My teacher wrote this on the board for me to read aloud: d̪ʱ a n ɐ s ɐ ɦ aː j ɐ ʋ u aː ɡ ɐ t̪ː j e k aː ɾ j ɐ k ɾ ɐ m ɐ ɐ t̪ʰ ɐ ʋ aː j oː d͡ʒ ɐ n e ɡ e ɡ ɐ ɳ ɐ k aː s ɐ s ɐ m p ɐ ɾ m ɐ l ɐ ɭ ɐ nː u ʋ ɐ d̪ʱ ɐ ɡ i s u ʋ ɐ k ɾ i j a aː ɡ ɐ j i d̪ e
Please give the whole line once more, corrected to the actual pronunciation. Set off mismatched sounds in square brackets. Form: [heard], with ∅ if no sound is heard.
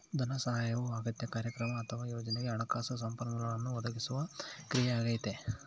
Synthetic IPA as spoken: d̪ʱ [ɐ] n ɐ s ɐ ɦ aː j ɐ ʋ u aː ɡ ɐ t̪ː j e k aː ɾ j ɐ k ɾ ɐ m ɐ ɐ t̪ʰ ɐ ʋ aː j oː d͡ʒ ɐ n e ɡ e [∅] ɐ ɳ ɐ k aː s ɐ s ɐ m p ɐ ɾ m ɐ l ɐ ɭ ɐ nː u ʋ ɐ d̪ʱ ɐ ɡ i s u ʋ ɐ k ɾ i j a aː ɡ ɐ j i [t̪] e